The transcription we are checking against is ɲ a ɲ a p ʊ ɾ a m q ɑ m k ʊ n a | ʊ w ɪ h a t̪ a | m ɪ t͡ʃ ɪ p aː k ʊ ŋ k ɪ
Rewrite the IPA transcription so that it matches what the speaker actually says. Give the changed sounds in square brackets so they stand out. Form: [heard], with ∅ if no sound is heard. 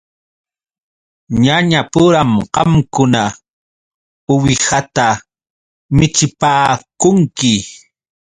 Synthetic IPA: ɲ a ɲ a p ʊ ɾ a m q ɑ m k ʊ n a | ʊ w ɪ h a t̪ a | m ɪ t͡ʃ ɪ p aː k ʊ ŋ k ɪ